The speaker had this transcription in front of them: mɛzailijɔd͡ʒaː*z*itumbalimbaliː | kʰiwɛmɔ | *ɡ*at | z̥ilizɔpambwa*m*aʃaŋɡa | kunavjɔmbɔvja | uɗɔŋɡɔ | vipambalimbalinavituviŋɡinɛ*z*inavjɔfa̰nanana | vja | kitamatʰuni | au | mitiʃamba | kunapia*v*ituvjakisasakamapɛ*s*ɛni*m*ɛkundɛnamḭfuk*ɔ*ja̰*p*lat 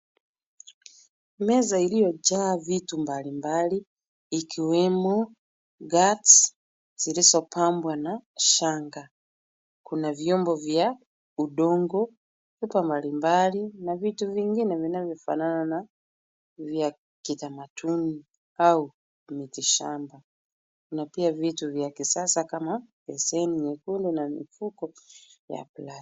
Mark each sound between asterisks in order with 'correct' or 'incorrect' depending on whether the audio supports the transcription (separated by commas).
incorrect, correct, incorrect, incorrect, correct, correct, incorrect, correct, correct